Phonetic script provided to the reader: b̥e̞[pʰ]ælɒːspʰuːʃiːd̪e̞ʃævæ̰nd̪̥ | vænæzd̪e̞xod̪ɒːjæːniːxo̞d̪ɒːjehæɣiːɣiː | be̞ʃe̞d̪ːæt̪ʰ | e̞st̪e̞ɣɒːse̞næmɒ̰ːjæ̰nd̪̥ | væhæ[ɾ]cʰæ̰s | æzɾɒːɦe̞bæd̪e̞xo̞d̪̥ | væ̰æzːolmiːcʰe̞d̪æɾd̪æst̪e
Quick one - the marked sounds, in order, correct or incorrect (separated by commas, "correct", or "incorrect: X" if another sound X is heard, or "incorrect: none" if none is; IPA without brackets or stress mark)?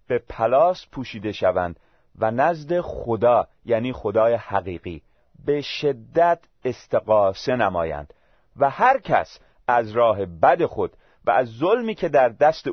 correct, correct